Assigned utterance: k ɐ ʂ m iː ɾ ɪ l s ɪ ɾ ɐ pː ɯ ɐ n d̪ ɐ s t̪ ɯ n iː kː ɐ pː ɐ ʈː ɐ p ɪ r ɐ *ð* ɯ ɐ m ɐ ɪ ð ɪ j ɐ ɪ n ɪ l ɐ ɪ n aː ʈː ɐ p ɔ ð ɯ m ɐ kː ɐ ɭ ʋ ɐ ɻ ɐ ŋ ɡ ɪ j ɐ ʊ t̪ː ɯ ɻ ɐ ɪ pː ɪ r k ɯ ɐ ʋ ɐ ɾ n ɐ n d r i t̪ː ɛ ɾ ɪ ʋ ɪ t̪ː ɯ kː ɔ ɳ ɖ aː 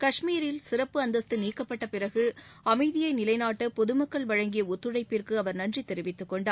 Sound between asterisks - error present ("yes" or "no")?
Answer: yes